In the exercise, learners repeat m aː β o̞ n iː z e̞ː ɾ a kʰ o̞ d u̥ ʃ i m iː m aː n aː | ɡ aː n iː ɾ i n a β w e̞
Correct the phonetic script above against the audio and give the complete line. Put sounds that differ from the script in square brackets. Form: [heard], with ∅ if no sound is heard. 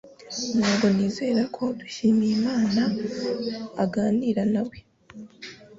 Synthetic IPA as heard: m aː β o̞ n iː z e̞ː ɾ a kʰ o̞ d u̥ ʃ i m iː m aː n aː | ɡ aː n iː ɾ [a] n a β w e̞